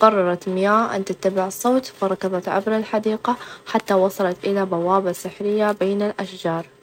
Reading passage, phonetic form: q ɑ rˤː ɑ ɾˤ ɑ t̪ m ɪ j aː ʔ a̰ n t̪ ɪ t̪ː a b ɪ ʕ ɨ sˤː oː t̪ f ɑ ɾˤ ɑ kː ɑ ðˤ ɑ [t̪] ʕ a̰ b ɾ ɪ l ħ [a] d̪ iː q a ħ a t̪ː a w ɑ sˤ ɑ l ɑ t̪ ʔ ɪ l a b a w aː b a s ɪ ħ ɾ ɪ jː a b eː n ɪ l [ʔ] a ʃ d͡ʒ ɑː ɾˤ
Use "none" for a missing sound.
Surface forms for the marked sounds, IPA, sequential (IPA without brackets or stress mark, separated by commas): t̪, a, ʔ